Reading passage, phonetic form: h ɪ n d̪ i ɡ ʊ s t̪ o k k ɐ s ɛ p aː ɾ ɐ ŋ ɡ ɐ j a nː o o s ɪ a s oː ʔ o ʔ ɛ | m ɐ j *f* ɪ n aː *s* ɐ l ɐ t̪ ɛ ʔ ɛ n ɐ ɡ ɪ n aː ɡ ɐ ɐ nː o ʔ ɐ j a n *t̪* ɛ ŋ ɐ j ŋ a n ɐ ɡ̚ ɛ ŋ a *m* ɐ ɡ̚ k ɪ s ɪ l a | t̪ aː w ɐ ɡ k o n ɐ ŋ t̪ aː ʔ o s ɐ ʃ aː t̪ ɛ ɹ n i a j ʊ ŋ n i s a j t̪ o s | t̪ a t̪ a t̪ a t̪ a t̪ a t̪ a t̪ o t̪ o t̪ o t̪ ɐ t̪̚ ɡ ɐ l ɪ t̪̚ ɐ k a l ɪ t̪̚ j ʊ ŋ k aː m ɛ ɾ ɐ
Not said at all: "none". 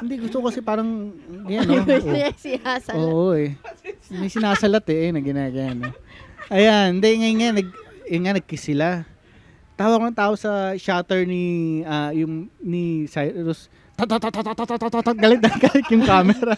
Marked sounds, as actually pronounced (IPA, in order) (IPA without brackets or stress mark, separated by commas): s, s, d̪, n